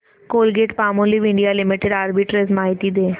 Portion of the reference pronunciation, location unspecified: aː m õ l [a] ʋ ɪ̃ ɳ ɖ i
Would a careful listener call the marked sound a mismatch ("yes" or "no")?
yes